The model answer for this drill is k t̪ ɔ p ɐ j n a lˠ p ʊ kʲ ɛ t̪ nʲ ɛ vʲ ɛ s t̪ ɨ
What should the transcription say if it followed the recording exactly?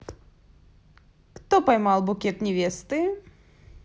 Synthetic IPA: k t̪ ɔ p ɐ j m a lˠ b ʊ kʲ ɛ t̪ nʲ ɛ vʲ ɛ s t̪ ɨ